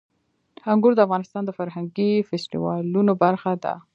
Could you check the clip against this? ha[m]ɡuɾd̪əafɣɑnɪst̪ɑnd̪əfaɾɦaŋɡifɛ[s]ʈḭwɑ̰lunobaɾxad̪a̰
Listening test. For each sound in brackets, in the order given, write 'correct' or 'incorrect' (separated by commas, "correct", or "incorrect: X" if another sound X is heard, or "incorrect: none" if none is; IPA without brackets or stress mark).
incorrect: ŋ, correct